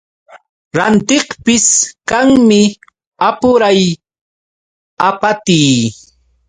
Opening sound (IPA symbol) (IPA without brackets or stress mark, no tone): ɾ